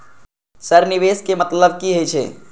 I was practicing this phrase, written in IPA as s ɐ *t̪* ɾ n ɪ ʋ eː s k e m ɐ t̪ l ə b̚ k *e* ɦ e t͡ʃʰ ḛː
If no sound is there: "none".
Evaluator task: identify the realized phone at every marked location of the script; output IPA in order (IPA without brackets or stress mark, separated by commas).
none, i